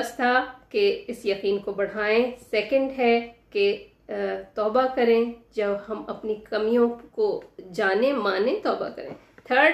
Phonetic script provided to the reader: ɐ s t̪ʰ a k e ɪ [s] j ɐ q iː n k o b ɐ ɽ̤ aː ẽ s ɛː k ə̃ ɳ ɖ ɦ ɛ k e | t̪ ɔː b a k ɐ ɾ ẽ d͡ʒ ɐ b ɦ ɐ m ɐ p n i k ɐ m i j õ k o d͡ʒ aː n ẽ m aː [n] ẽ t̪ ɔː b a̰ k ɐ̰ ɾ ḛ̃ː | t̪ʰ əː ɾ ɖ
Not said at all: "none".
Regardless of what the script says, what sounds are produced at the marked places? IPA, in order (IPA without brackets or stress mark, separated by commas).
s, n